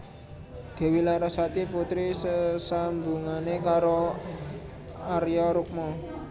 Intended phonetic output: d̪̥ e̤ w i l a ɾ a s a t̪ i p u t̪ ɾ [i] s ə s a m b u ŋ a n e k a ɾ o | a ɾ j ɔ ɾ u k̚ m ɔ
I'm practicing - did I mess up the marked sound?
no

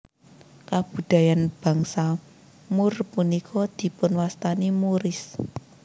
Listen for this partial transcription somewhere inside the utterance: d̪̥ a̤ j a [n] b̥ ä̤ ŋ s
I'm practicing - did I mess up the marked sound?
no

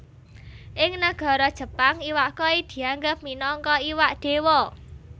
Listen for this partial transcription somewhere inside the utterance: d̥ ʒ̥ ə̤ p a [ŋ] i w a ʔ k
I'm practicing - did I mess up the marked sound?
no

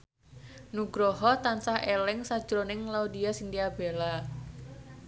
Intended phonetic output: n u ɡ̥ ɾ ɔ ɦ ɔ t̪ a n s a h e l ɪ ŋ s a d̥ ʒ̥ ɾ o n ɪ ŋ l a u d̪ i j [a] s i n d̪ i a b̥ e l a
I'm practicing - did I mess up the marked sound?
no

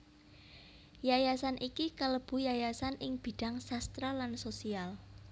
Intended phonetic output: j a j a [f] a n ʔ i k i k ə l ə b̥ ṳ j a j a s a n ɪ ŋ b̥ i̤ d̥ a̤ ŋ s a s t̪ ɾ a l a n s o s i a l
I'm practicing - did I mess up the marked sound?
yes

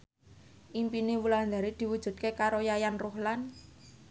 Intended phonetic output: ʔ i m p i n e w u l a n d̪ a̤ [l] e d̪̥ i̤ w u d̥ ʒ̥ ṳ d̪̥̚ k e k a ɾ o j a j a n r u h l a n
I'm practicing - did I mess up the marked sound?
yes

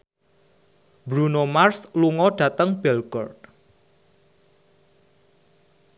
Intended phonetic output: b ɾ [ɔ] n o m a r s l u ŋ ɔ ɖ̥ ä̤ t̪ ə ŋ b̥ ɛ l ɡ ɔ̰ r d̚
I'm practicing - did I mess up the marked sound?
yes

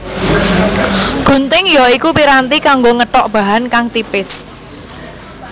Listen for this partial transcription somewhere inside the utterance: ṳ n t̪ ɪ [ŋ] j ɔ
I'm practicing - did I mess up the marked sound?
no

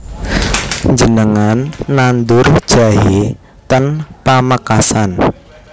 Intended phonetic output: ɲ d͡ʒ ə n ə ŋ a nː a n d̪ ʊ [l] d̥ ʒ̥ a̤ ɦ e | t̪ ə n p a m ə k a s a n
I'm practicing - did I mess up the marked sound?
yes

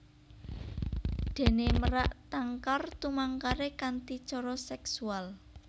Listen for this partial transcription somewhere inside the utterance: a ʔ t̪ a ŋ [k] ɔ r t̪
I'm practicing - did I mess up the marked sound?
no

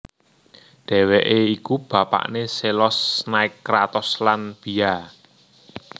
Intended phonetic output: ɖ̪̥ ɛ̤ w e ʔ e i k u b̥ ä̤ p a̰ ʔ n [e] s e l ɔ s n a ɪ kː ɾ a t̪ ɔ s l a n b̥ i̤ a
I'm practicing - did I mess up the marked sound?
no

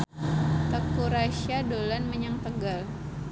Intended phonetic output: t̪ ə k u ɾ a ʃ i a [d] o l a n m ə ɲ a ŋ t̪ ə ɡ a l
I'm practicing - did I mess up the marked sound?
no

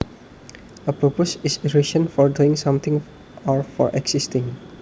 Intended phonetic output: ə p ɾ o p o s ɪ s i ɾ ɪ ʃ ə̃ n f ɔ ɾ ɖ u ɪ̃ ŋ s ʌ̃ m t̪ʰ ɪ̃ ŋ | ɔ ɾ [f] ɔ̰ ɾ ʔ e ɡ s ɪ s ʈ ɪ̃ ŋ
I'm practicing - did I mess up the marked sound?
no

